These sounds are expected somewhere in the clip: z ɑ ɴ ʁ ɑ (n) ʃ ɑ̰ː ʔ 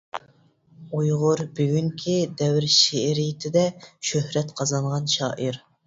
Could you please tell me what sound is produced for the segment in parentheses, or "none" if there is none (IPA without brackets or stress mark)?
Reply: n